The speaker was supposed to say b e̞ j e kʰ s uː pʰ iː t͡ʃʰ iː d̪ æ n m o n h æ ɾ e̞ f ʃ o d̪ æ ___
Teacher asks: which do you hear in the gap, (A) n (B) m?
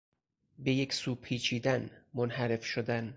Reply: A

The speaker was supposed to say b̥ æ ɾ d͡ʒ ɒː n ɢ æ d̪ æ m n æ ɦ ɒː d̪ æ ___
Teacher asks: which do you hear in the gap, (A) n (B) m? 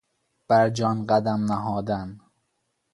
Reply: A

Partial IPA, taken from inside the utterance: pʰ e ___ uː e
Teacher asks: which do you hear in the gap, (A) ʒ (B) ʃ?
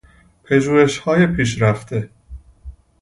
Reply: A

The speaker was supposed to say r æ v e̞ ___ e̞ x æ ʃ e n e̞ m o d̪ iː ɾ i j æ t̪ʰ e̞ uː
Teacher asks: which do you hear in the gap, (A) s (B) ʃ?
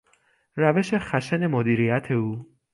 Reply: B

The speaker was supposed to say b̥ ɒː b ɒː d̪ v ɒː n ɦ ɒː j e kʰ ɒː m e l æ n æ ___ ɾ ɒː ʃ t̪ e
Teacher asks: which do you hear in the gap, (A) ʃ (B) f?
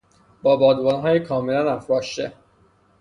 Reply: B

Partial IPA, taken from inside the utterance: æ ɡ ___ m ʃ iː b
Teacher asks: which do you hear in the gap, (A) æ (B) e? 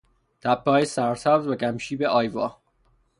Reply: A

